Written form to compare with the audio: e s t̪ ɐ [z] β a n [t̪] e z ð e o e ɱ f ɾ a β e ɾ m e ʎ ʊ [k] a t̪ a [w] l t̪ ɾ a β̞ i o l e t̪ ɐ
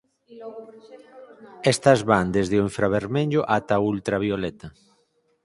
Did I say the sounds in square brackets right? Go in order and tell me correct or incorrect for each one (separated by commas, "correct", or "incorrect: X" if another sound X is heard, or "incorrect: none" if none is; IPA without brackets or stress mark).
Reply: correct, incorrect: d̪, incorrect: ʔ, incorrect: u